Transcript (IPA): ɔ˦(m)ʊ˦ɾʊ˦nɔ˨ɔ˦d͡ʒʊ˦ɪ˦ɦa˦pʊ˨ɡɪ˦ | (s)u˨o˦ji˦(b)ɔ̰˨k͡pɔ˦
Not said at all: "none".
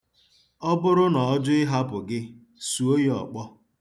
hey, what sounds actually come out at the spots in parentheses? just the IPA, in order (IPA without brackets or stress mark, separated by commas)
b, s, none